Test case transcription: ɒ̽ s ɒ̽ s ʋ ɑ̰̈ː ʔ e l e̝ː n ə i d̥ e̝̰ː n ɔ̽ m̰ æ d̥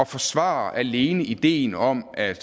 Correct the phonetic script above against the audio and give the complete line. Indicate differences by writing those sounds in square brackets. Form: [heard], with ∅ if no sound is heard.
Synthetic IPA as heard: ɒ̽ [f] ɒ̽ s ʋ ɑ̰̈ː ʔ [æ] l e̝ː n ə i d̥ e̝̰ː n [ɒ̽] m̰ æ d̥